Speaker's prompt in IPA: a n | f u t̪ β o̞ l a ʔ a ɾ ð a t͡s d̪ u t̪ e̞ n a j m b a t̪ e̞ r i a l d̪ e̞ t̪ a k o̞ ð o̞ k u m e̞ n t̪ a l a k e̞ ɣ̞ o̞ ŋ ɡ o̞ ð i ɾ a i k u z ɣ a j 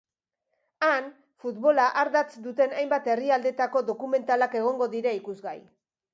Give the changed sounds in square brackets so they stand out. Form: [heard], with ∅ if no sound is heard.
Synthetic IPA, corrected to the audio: a n | f u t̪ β o̞ l a ʔ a ɾ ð a t͡s d̪ u t̪ e̞ n a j m b a t̪ e̞ r i a l d̪ e̞ t̪ a k o̞ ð o̞ k u m e̞ n t̪ a l a k e̞ ɣ̞ o̞ ŋ ɡ o̞ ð i ɾ a i k u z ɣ a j